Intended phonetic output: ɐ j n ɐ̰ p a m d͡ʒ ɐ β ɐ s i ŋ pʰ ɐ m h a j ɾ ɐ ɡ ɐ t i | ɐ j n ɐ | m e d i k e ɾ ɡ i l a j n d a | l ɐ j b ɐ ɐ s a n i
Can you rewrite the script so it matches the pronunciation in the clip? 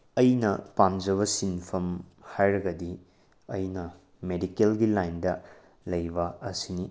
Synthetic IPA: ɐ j n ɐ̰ p a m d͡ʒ ɐ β ɐ s i n pʰ ɐ m h a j ɾ ɐ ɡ ɐ d i | ɐ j n ɐ | m e d i k e l ɡ i l a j n d ɐ | l ɐ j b ɐ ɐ s i n i